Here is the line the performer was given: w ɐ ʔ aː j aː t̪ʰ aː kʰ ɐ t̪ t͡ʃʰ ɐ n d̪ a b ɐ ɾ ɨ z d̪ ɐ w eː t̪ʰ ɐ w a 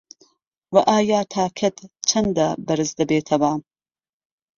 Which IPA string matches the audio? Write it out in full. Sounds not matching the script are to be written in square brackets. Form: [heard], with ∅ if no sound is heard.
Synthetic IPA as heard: w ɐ ʔ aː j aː t̪ʰ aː kʰ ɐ t̪ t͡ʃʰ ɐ n d̪ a b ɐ ɾ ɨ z d̪ ɐ [b] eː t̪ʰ ɐ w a